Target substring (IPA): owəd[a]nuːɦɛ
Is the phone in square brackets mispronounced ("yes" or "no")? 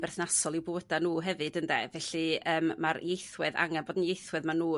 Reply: no